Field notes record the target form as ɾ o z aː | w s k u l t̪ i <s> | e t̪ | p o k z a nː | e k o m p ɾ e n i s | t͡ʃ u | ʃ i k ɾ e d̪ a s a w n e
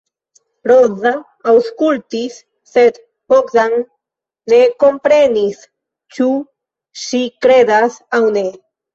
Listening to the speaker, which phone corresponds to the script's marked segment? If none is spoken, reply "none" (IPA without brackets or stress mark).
sː